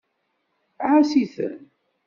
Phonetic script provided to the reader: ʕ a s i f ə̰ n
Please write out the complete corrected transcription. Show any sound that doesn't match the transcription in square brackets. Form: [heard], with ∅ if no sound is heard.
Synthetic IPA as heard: ʕ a s i [θ] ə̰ n